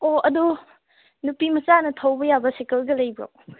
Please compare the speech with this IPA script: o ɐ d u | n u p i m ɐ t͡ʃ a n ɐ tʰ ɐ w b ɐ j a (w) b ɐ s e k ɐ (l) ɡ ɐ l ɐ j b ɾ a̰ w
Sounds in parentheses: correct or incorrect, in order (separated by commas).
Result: incorrect, correct